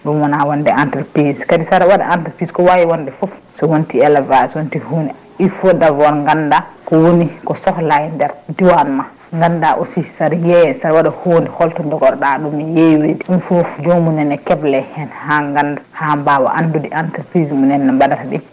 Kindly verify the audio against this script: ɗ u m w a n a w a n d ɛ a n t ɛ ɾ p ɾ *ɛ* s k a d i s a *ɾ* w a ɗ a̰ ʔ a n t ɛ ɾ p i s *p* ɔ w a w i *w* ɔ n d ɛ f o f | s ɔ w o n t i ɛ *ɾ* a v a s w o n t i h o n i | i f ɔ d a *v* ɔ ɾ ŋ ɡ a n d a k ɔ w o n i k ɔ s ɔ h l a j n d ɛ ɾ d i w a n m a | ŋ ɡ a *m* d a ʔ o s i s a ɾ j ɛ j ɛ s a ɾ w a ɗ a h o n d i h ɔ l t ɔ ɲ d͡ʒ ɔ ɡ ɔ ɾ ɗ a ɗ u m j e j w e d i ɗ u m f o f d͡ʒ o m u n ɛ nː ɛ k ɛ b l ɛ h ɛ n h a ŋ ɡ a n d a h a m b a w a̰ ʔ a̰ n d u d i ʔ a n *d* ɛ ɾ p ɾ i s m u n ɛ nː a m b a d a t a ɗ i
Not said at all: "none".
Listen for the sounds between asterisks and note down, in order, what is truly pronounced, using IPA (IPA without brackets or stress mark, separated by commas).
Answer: i, ɾ, k, w, l, v, n, t